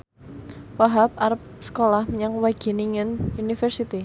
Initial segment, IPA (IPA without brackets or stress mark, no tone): w